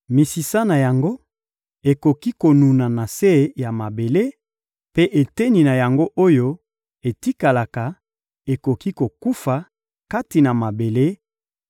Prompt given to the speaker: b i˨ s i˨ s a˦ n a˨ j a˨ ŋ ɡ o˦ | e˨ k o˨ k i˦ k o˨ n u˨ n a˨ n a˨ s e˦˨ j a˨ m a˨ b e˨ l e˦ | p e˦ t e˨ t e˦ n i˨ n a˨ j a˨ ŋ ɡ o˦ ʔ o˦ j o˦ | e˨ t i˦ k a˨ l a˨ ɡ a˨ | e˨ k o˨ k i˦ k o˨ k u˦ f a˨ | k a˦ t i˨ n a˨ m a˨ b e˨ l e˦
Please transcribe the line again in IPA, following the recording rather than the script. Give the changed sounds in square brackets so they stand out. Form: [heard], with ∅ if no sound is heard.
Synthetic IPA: [m] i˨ s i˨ s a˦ n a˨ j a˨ ŋ ɡ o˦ | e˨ k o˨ k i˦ k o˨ n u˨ n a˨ n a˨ s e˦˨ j a˨ m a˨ b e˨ l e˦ | p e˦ [ʔ] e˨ t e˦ n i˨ n a˨ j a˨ ŋ ɡ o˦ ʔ o˦ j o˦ | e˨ t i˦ k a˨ l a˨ [k] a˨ | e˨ k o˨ k i˦ k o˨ k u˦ f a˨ | k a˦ t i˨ n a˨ m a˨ b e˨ l e˦